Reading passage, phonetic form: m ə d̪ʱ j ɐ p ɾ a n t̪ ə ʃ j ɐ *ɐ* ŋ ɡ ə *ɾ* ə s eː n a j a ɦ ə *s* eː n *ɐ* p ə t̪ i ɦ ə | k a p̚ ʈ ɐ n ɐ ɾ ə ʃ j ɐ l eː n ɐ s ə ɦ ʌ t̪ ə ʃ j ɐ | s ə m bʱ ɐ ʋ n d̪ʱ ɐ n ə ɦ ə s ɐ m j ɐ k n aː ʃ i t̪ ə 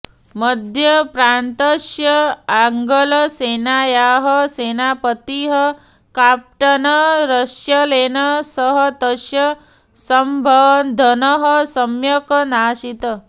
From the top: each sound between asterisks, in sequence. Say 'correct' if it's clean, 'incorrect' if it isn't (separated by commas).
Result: incorrect, incorrect, correct, incorrect